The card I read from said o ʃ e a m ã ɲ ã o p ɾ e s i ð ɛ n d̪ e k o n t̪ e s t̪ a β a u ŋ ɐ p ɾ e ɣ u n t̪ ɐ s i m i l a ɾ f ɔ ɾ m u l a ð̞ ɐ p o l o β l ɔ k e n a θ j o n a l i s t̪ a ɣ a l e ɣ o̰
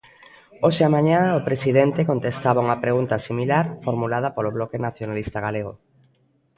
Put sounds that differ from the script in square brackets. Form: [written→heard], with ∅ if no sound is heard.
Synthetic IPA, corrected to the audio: o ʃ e a m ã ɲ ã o p ɾ e s i ð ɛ n [d̪→t̪] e k o n t̪ e s t̪ a β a u ŋ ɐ p ɾ e ɣ u n t̪ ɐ s i m i l a ɾ f [ɔ→o] ɾ m u l a ð̞ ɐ p o l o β l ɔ k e n a θ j o n a l i s t̪ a ɣ a l e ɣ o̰

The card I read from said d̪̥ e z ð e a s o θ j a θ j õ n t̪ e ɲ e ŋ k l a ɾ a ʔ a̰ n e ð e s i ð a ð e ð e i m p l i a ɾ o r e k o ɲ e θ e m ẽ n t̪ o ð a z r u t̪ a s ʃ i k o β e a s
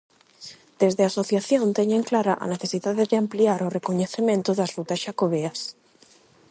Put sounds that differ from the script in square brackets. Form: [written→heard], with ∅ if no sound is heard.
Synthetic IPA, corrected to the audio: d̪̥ e z ð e a s o θ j a θ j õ n t̪ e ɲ e ŋ k l a ɾ a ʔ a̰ n e [ð→θ] e s i ð a ð e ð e [i→a] m p l i a ɾ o r e k o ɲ e θ e m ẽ n t̪ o ð a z r u t̪ a s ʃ [i→a] k o β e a s

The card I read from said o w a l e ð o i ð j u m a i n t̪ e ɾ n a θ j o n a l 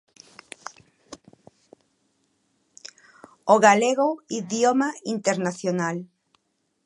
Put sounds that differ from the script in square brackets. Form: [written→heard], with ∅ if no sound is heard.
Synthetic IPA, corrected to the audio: o [w→ɣ] a l e [ð→ɣ] o i ð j [u→o] m a i n t̪ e ɾ n a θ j o n a l

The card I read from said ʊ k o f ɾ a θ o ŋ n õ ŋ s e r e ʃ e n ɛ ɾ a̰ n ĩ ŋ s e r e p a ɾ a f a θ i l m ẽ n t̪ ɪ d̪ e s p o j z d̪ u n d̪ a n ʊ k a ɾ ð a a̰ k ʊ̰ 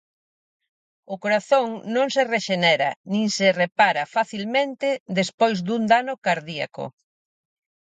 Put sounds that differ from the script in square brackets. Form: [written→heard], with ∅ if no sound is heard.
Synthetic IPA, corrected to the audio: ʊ k o [f→∅] ɾ a θ o ŋ n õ ŋ s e r e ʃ e n ɛ ɾ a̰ n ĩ ŋ s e r e p a ɾ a f a θ i l m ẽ n t̪ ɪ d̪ e s p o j z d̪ u n d̪ a n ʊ k a ɾ ð [a→i] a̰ k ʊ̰

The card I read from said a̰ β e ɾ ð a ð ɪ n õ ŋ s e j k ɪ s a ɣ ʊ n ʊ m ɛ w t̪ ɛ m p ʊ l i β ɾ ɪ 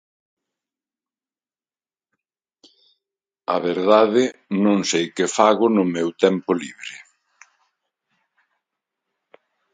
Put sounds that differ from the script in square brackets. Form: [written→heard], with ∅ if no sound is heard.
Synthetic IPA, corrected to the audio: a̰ β e ɾ ð a ð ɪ n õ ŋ s e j k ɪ [s→f] a ɣ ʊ n ʊ m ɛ w t̪ ɛ m p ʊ l i β ɾ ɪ

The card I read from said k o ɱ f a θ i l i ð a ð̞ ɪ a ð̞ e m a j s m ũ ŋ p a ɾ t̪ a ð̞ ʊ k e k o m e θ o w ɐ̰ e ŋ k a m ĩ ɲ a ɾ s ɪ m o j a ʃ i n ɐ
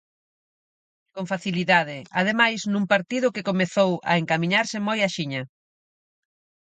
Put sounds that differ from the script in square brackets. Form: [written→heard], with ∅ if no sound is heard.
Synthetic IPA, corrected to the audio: k o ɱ f a θ i l i ð a ð̞ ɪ a ð̞ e m a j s [m→n] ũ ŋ p a ɾ t̪ [a→i] ð̞ ʊ k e k o m e θ o w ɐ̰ e ŋ k a m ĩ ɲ a ɾ s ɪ m o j a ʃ i [n→ɲ] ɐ

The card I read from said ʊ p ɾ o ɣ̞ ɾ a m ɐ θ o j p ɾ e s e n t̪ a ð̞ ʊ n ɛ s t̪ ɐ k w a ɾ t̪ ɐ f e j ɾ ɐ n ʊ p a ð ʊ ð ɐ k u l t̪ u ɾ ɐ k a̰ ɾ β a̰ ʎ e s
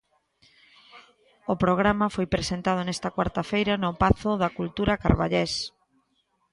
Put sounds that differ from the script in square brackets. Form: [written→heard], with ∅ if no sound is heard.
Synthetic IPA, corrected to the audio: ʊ p ɾ o ɣ̞ ɾ a m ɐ [θ→f] o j p ɾ e s e n t̪ a ð̞ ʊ n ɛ s t̪ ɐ k w a ɾ t̪ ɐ f e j ɾ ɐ n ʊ p a [ð→θ] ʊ ð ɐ k u l t̪ u ɾ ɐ k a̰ ɾ β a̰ ʎ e s

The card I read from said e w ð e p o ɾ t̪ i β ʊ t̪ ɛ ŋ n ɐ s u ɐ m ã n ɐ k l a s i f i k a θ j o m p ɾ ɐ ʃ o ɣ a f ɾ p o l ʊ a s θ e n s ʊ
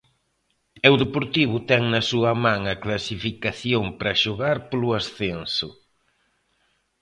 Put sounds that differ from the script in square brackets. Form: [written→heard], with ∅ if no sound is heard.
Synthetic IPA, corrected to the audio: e w ð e p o ɾ t̪ i β ʊ t̪ ɛ ŋ n ɐ s u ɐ m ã [n→ŋ] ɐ k l a s i f i k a θ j o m p ɾ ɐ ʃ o ɣ a [f→∅] ɾ p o l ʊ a s θ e n s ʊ

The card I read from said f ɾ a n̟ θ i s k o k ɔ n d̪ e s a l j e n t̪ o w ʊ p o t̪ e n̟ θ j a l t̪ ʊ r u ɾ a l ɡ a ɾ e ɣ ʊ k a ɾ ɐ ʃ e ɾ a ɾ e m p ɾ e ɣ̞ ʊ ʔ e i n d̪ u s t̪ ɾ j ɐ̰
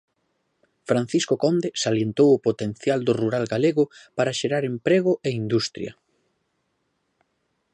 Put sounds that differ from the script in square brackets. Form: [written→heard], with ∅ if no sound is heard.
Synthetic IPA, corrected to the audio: f ɾ a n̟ θ i s k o k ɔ n d̪ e s a l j e n t̪ o w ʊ p o t̪ e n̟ θ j a l [t̪→d̪] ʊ r u ɾ a l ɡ a [ɾ→l] e ɣ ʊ [k→p] a ɾ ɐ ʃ e ɾ a ɾ e m p ɾ e ɣ̞ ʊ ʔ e i n d̪ u s t̪ ɾ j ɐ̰

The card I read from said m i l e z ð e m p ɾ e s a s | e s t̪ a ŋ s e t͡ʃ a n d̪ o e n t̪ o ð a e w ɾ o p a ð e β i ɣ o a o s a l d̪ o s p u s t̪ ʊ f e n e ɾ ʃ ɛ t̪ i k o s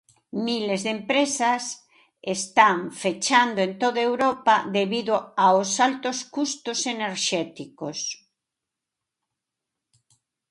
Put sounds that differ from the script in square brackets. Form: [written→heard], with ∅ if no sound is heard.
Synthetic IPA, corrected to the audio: m i l e z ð e m p ɾ e s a s | e s t̪ a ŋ [s→f] e t͡ʃ a n d̪ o e n t̪ o ð a e w ɾ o p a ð e β i [ɣ→ð] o a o s a l [d̪→t̪] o s [p→k] u s t̪ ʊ [f→s] e n e ɾ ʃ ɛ t̪ i k o s

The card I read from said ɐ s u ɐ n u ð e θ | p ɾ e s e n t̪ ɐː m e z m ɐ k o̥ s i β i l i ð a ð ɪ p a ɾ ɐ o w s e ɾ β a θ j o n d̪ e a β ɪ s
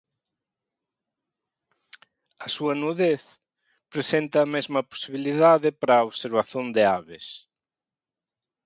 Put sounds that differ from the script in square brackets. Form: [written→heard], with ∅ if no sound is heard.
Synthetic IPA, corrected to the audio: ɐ s u ɐ n u ð e θ | p ɾ e s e n t̪ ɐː m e z m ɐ [k→p] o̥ s i β i l i ð a ð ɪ p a ɾ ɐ o [w→β] s e ɾ β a θ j o n d̪ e a β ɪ s

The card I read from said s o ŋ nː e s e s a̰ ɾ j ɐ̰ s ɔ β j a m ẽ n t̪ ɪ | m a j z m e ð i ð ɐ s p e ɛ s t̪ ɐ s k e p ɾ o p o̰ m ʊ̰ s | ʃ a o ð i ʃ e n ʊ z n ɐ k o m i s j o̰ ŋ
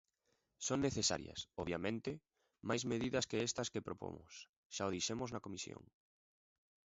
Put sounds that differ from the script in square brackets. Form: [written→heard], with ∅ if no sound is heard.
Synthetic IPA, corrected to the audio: s o ŋ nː e [s→θ] e s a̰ ɾ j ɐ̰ s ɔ β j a m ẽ n t̪ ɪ | m a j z m e ð i ð ɐ s [p→k] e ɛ s t̪ ɐ s k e p ɾ o p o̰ m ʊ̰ s | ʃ a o ð i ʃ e [n→m] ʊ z n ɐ k o m i s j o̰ ŋ

